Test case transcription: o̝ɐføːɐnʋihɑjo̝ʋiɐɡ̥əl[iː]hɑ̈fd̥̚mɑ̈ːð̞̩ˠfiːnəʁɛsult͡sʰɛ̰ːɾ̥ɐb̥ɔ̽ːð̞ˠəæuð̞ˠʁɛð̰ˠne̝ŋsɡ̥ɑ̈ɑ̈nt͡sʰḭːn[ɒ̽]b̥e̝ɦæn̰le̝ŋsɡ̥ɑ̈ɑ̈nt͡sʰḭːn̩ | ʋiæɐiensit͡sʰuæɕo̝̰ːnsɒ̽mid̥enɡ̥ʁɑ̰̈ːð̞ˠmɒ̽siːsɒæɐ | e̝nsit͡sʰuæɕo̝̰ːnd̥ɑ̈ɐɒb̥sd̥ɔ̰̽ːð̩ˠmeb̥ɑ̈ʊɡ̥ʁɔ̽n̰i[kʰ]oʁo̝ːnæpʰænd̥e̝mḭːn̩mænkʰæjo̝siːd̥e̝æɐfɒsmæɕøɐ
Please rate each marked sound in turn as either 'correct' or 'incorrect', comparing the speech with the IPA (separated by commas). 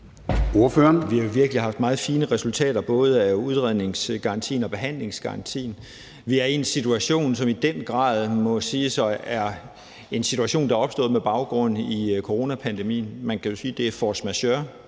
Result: incorrect, correct, correct